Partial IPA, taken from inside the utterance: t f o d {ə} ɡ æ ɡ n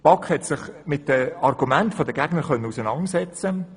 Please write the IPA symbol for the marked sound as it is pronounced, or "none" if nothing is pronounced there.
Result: ə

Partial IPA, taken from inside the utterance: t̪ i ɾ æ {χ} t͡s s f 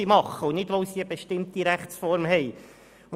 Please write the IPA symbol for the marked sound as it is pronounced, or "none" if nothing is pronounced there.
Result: χ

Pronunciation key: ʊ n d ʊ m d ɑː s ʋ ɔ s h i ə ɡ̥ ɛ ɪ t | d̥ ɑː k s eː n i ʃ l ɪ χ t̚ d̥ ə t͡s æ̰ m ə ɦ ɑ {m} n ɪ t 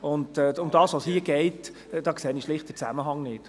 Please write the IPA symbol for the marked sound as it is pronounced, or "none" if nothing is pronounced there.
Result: ŋ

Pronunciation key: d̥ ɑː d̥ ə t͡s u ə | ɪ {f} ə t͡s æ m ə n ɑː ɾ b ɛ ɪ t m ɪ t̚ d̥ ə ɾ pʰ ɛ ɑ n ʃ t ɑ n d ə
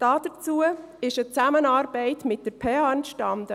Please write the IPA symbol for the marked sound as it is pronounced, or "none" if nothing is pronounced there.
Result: ʃ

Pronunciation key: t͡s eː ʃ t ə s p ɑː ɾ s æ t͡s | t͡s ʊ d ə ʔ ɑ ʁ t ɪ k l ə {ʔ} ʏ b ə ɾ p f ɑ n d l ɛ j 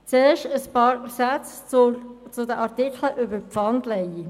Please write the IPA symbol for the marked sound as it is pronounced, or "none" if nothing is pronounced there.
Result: ʔ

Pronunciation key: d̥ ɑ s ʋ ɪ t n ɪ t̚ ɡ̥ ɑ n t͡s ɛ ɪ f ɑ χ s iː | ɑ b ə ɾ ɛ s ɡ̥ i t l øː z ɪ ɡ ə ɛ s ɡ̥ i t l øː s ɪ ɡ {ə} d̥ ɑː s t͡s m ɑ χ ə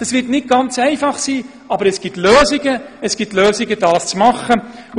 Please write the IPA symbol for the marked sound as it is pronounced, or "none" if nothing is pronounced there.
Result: ə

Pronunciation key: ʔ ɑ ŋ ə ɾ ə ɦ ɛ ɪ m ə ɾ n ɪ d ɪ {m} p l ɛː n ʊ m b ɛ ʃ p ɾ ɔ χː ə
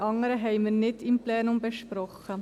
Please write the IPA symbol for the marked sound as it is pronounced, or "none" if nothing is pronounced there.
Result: m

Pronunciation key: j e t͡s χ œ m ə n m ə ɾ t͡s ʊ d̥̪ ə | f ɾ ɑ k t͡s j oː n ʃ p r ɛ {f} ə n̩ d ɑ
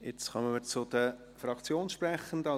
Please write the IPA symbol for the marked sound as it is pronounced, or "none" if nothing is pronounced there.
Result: χ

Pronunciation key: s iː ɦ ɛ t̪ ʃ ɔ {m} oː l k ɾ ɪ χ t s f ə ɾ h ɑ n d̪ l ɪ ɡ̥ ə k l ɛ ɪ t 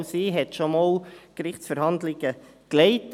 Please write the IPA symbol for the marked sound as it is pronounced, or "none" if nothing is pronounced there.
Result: m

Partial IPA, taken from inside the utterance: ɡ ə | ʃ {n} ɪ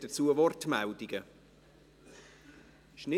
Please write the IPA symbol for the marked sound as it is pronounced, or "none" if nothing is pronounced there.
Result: n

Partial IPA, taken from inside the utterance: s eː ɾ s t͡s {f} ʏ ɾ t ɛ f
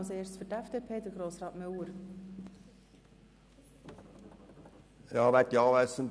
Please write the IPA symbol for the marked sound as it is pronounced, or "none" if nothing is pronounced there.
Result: f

